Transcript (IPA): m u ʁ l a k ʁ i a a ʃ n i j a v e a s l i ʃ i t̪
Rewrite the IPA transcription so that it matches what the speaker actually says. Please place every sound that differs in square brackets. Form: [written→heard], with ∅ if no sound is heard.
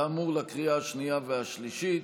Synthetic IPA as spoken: m u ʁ l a k ʁ i a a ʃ n i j a v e a [s→ʃ] l i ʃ i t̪